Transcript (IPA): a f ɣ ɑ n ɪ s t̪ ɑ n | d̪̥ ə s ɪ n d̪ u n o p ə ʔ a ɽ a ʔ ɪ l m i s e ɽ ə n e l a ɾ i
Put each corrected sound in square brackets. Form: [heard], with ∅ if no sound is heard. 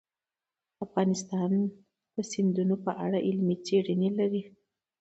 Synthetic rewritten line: a f ɣ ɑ n ɪ s t̪ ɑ n | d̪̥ ə s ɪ n d̪ u n o p ə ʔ a ɽ a ʔ ɪ l m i [t͡s] e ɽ ə n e l a ɾ i